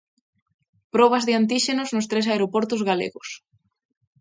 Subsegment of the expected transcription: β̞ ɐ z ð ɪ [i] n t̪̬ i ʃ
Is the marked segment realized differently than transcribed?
yes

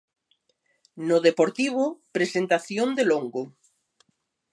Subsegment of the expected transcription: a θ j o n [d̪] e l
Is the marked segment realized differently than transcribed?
no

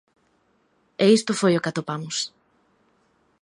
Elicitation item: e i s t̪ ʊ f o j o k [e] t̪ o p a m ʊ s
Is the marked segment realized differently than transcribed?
yes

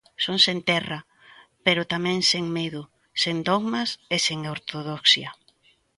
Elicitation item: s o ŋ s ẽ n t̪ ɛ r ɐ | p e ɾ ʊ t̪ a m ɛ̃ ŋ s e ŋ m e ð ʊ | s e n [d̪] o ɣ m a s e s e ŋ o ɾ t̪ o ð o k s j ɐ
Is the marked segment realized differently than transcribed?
no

